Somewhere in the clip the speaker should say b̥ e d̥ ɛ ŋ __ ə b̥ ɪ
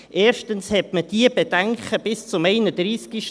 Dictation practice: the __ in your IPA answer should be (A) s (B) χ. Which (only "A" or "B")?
B